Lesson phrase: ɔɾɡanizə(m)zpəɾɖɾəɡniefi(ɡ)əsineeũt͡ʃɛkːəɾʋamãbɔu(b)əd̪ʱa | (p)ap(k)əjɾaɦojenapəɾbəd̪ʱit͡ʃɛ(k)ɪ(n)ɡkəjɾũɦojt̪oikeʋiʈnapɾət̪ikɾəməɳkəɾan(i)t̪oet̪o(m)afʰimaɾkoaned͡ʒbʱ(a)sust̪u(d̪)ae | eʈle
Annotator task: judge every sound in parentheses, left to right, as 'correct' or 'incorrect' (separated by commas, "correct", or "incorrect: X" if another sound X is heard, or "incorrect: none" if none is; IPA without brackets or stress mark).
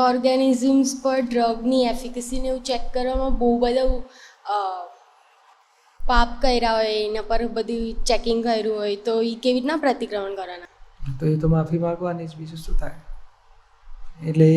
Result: correct, incorrect: k, correct, correct, correct, correct, incorrect: ŋ, incorrect: a, correct, incorrect: i, incorrect: t̪